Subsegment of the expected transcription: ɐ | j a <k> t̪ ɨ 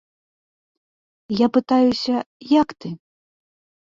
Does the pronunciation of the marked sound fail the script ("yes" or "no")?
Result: no